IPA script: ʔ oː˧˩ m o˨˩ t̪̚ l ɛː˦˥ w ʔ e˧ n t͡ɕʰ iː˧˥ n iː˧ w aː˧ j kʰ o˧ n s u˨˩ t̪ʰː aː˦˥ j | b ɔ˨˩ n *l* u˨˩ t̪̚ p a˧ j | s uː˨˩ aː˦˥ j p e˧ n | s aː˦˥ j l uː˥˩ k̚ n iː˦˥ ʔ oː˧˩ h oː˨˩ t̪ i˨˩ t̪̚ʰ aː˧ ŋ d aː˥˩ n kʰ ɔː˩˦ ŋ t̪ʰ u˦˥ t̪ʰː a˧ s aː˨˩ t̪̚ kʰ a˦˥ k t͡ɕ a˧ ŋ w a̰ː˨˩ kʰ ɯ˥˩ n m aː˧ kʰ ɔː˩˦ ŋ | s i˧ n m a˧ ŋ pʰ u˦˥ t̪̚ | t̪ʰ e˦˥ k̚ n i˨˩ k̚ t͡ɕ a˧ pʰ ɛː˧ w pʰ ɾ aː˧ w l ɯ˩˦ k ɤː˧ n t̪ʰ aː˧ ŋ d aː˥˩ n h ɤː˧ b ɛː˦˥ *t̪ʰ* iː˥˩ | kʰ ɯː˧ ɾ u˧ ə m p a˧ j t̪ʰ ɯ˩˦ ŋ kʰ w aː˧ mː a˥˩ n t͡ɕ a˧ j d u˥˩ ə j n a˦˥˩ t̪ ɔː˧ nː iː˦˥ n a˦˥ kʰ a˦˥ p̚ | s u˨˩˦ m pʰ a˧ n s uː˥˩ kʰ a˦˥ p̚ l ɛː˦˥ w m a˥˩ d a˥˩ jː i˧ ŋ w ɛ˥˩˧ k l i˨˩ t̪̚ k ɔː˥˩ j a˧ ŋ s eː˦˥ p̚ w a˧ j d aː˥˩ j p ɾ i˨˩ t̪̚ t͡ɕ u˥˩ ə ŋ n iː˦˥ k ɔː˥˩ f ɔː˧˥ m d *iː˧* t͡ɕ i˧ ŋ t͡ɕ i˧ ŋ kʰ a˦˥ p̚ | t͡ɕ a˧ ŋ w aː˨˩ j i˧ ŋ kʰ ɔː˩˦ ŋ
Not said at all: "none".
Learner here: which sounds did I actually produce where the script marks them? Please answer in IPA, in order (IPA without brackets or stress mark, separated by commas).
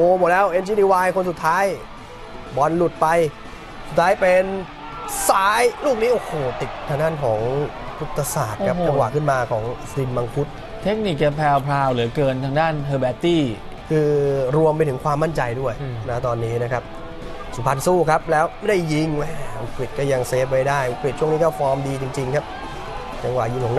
l, t̪, iː˧